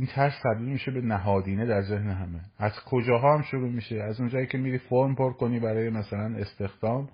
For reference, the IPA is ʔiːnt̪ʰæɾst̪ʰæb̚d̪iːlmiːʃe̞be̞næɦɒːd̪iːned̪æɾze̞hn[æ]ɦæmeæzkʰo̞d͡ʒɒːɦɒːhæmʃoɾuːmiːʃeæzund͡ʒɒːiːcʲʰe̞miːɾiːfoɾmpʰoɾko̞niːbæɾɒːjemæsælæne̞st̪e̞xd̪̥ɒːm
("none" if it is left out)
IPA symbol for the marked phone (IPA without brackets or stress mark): e